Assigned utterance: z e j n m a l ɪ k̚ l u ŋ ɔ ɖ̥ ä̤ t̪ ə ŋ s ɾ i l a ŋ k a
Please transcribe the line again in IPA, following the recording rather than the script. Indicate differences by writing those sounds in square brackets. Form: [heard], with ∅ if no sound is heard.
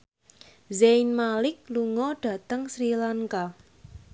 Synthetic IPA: z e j n m a l ɪ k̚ l u ŋ ɔ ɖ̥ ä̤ t̪ ə ŋ s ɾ i l a ŋ k a